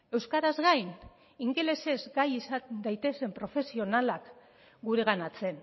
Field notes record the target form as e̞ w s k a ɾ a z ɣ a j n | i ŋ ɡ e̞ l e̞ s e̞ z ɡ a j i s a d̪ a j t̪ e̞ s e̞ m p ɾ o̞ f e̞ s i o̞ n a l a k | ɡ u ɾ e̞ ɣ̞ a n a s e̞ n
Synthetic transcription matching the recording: e̞ w s k a ɾ a z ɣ a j n | i ŋ ɡ e̞ l e̞ s e̞ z ɡ a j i s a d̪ a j t̪ e̞ s e̞ m p ɾ o̞ f e̞ s i o̞ n a l a k | ɡ u ɾ e̞ ɣ̞ a n a t͡s e̞ n

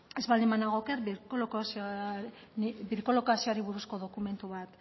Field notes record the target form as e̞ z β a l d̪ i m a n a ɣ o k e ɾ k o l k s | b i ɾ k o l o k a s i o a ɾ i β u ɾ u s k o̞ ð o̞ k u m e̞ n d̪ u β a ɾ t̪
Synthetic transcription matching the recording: e̞ z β a l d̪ i m a n a ɣ o k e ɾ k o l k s | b i ɾ k o l o k a s i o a ɾ i β u ɾ u s k o̞ ð o̞ k u m e̞ n t̪ u β a t̪

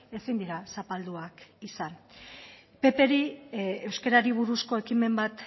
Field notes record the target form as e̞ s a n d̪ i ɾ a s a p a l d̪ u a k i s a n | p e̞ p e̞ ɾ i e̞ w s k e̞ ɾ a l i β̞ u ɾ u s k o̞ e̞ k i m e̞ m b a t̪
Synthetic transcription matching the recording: e̞ s i n d̪ i ɾ a s a p a l d̪ u a k i s a n | p e̞ p e̞ ɾ i e̞ w s k e̞ ɾ a ɾ i β̞ u ɾ u s k o̞ e̞ k i m e̞ m b a t̪

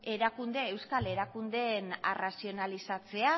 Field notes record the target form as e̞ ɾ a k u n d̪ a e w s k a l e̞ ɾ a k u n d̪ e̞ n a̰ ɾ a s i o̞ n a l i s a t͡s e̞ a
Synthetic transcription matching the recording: e̞ ɾ a k u n d̪ e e w s k a l e̞ ɾ a k u n d̪ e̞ n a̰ r a s i o̞ n a l i s a t͡s e̞ a

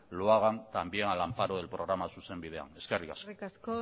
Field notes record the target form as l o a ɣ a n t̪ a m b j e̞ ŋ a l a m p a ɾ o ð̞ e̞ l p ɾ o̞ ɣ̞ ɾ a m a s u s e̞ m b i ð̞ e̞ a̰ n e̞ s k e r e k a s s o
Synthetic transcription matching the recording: l o a ɣ a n t̪ a m b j e̞ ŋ a l a m p a ɾ o ð̞ e̞ l p ɾ o̞ ɣ̞ ɾ a m a s u s e̞ m b i ð̞ e̞ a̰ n e̞ s k e r i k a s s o

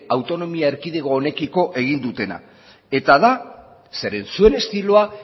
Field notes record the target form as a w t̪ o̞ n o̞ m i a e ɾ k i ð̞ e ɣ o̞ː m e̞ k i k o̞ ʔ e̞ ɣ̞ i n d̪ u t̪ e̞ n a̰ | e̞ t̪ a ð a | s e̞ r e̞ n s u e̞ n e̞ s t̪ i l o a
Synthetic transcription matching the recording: a w t̪ o̞ n o̞ m i a e ɾ k i ð̞ e ɣ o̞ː n e̞ k i k o̞ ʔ e̞ ɣ̞ i n d̪ u t̪ e̞ n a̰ | e̞ t̪ a ð a | s e̞ ɾ e̞ n s u e̞ n e̞ s t̪ i l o a

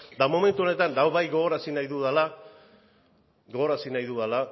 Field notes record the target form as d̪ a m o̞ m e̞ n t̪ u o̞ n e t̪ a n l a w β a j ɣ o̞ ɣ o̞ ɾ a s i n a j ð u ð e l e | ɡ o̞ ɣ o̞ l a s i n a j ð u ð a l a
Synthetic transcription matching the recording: d̪ a m o̞ m e̞ n t̪ u o̞ n e t̪ a n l a w β a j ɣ o̞ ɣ o̞ ɾ a s i n a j ð u ð a l a | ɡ o̞ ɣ o̞ ɾ a s i n a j ð u ð a l a

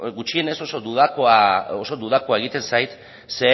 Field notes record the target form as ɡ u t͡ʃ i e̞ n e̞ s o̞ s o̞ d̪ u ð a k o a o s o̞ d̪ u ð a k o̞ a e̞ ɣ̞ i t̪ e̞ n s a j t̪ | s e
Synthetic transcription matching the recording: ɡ u t͡ʃ i e̞ n e̞ s o̞ s o̞ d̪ u ð a k o a o s o̞ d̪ u ð a k o̞ a e̞ ɣ̞ i t̪ e̞ n s a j t̪ | s e

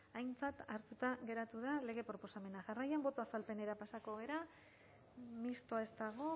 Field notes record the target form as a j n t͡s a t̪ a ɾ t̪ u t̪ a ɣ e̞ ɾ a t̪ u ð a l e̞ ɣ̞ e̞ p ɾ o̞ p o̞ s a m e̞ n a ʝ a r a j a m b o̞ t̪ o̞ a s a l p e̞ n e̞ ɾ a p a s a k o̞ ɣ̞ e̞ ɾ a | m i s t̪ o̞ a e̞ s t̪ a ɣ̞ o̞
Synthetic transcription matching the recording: a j n t͡s a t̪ a ɾ t̪ u t̪ a ɣ e̞ ɾ a t̪ u ð a l e̞ ɣ̞ e̞ p ɾ o̞ p o̞ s a m e̞ n a ʝ a r a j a m b o̞ t̪ o̞ a s a l p e̞ n e̞ ɾ a p a s a k o̞ ɣ̞ e̞ ɾ a | m i s t̪ o̞ a e̞ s t̪ a ɣ̞ o̞

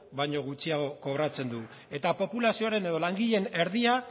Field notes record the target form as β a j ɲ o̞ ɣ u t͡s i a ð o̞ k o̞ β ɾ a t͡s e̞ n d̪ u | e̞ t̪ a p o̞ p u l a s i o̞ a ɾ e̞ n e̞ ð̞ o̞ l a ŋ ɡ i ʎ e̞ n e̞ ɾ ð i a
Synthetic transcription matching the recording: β a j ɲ o̞ ɣ u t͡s i a ɣ o̞ k o̞ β ɾ a t͡s e̞ n d̪ u | e̞ t̪ a p o̞ p u l a s i o̞ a ɾ e̞ n e̞ ð̞ o̞ l a ŋ ɡ i ʎ e̞ n e̞ ɾ ð i a

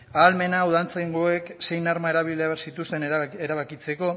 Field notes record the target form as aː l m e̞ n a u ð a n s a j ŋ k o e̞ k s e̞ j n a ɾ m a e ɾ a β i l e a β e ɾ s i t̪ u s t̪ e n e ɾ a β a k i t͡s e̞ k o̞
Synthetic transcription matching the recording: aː l m e̞ n a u ð a n t͡s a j ŋ ɡ o e̞ k s e̞ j n a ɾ m a e ɾ a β i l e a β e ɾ s i t̪ u s t̪ e n e ɾ a β a k i t͡s e̞ k o̞

